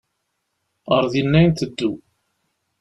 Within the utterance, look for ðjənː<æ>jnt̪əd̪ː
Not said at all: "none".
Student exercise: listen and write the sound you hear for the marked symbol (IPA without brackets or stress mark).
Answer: æ